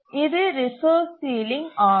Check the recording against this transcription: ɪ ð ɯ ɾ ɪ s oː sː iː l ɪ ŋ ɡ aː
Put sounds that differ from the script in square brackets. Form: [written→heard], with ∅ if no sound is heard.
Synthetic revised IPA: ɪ ð ɯ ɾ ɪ s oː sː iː l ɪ ŋ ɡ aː